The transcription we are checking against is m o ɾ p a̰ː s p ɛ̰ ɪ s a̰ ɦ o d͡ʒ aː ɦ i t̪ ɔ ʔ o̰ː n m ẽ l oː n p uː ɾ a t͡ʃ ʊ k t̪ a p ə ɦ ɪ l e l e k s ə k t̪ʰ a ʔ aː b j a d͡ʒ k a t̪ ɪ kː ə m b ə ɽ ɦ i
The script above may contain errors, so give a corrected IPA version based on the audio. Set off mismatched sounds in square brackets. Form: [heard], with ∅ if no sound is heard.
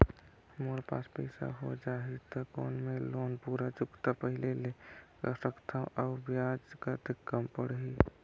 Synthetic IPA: m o ɾ p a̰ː s p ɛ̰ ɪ s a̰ ɦ o d͡ʒ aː ɦ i t̪ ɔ [k] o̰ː n m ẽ l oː n p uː ɾ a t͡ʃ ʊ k t̪ a p ə ɦ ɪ l e l e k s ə k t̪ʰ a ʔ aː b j a d͡ʒ k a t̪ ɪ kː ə m [p] ə ɽ ɦ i